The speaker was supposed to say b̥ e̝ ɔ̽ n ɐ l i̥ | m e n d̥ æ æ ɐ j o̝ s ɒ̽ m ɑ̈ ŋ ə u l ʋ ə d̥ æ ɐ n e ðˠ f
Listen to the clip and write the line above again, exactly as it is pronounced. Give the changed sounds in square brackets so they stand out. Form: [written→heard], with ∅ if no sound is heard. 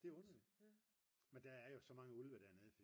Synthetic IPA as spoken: [b̥→d̥] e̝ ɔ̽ n ɐ l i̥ | m e n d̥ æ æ ɐ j o̝ s ɒ̽ m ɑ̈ ŋ ə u l ʋ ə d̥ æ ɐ n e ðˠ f

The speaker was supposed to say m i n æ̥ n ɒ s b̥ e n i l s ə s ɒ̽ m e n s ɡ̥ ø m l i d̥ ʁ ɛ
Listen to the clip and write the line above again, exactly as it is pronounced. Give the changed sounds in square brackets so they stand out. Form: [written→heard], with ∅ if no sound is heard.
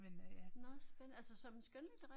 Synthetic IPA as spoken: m [i→e] n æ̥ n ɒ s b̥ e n [i→æ] l s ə s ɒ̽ m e n s ɡ̥ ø [m→n] l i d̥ ʁ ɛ

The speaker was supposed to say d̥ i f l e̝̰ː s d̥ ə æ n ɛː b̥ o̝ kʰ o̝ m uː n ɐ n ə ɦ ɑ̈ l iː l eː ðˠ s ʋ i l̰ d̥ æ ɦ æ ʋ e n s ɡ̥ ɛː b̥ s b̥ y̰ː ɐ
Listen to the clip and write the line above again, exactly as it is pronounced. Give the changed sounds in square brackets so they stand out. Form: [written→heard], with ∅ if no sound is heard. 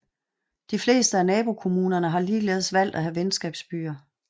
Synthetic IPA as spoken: d̥ i f l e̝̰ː s d̥ ə æ n ɛː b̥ o̝ kʰ o̝ m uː n ɐ n ə ɦ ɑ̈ l iː l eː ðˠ s ʋ [i→æ] l̰ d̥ æ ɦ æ ʋ e n s ɡ̥ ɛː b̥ s b̥ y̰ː ɐ

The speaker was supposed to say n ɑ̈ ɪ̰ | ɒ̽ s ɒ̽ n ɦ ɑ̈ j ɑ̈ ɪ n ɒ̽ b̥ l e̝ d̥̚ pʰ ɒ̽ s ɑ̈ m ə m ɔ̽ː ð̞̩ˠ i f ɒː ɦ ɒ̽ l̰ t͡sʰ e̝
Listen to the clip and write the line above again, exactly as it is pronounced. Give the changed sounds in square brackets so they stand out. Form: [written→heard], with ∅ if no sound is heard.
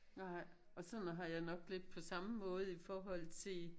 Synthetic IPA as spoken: n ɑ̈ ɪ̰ | ɒ̽ s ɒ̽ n ɦ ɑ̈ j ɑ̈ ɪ n ɒ̽ [b̥→ɡ̥] l e̝ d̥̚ pʰ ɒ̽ s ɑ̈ m ə m ɔ̽ː ð̞̩ˠ i f ɒː ɦ ɒ̽ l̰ t͡sʰ e̝

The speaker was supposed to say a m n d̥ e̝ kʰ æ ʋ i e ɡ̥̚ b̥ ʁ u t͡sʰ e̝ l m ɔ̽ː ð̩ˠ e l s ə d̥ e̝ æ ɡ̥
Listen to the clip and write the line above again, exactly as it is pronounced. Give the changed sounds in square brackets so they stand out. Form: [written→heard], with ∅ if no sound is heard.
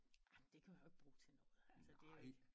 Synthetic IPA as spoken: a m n d̥ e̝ kʰ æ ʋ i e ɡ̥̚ b̥ ʁ [u→uː] t͡sʰ e̝ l [m→n] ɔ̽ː ð̩ˠ [e→æ] l s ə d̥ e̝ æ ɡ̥

